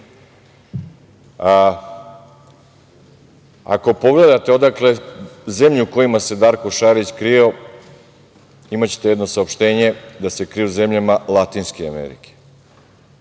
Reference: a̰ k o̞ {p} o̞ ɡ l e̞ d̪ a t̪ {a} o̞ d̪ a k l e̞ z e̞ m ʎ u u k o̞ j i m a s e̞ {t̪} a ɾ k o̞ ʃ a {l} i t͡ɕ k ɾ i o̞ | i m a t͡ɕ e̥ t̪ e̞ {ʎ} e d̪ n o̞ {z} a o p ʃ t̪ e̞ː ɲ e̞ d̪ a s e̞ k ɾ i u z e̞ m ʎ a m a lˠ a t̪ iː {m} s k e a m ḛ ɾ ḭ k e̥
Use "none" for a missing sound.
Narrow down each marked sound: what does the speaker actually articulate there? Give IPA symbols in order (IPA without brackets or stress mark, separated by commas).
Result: p, e, d̪, ɾ, j, s, n